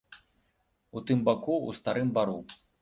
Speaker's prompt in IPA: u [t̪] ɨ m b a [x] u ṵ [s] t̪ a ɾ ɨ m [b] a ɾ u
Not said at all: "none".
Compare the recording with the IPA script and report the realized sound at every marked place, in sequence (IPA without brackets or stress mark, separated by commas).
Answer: t̪, k, s, b